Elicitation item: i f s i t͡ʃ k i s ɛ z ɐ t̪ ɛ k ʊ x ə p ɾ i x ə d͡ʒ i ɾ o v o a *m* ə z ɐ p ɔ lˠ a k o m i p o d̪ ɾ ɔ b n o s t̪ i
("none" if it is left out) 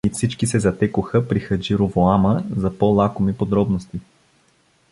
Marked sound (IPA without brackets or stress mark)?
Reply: m